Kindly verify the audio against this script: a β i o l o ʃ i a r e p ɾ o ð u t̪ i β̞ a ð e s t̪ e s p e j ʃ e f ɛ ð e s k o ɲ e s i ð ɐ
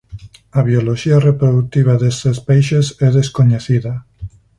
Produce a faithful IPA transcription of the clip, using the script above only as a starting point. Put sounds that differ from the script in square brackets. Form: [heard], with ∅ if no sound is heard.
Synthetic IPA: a β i o l o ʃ i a r e p ɾ o ð u t̪ i β̞ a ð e s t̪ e s p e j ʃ e [s] ɛ ð e s k o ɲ e [θ] i ð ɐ